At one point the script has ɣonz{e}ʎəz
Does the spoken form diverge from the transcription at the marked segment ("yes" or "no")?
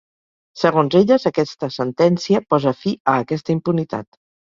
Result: no